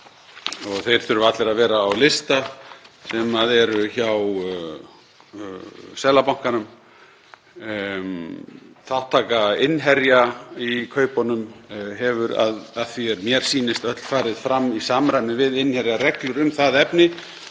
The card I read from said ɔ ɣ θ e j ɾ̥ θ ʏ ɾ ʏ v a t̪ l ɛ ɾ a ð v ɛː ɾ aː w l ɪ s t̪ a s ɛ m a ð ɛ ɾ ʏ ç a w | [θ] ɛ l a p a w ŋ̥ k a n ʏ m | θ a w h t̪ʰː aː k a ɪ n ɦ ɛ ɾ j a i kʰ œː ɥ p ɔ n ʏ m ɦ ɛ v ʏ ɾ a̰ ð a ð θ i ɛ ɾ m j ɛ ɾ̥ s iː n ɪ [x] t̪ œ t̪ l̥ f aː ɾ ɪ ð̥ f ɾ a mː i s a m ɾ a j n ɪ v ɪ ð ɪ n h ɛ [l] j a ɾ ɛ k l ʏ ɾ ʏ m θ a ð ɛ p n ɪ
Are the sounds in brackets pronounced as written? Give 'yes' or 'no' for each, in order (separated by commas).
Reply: no, no, no